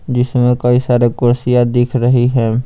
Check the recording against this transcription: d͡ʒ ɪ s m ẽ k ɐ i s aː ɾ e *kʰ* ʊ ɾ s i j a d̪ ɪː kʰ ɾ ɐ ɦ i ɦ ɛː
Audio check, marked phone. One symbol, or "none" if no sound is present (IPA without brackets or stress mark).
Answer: k